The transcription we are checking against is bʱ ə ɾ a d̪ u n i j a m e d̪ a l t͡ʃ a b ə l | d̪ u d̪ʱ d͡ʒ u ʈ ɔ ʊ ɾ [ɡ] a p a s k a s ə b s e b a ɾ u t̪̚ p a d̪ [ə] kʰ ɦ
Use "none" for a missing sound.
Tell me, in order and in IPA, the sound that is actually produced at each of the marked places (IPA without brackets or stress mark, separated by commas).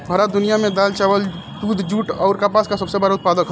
k, ə